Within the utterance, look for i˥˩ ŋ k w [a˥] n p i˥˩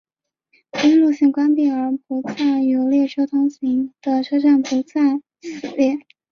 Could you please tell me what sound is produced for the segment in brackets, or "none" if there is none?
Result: a˥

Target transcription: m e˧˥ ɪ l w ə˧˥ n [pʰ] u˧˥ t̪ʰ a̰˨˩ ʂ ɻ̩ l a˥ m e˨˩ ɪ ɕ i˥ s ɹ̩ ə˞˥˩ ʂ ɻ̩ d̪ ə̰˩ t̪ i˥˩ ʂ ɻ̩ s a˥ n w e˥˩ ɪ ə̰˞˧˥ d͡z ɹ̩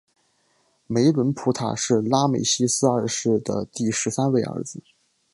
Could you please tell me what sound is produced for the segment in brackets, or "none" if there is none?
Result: pʰ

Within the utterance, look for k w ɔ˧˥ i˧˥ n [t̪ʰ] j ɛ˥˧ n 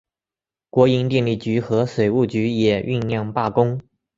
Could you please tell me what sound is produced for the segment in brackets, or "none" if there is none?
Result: t̪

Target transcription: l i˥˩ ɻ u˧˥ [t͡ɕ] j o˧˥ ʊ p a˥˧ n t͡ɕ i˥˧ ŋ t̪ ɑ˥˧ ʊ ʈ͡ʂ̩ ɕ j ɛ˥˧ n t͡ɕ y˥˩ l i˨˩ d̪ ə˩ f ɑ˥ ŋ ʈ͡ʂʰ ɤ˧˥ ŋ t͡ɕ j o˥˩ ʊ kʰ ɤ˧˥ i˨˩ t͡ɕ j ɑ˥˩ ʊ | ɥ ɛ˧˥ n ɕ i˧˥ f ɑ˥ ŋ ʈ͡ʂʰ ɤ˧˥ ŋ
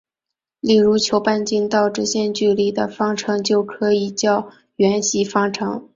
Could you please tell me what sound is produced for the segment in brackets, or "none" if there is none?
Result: t͡ɕʰ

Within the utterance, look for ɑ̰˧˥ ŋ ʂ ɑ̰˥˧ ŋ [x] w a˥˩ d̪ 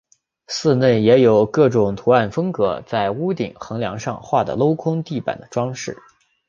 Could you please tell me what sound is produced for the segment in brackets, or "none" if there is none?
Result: x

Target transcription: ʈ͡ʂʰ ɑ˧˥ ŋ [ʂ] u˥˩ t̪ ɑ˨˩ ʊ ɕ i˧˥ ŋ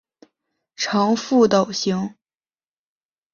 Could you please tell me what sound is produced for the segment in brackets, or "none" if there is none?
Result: f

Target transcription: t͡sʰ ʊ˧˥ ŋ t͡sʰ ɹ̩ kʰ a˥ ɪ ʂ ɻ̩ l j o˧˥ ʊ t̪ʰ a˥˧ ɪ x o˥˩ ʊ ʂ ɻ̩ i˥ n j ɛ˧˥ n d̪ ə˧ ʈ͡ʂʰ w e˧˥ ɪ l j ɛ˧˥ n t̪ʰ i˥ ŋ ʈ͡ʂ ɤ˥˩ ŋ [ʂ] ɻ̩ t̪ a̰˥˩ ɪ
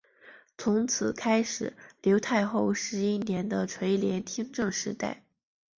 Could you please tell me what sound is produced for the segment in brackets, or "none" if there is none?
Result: ʂ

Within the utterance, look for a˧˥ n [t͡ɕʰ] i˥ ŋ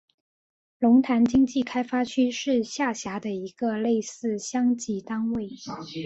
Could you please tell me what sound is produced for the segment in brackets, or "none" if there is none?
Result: t͡ɕ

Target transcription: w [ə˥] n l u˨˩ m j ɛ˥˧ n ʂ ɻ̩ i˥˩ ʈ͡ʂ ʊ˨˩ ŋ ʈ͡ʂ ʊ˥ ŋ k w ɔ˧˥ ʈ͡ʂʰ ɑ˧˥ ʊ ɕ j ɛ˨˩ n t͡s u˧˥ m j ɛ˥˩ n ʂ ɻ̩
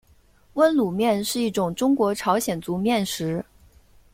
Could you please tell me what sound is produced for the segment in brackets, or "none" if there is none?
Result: ə˥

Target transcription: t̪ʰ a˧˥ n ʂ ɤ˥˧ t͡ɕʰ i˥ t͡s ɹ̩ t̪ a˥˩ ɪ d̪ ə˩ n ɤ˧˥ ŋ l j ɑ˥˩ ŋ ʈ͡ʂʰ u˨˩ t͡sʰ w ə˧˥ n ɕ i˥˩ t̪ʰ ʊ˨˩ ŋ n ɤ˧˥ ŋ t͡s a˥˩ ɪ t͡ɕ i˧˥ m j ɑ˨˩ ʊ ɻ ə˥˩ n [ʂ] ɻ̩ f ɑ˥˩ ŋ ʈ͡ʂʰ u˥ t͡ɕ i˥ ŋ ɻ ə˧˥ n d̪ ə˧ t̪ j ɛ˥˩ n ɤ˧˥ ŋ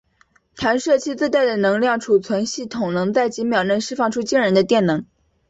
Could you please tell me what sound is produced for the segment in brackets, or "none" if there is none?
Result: ʂ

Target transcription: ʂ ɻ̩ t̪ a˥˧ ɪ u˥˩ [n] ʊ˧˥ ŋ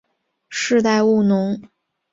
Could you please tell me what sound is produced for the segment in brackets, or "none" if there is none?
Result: n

